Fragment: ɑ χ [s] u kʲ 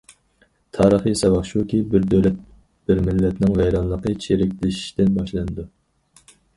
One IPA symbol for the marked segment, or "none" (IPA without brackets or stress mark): ʃ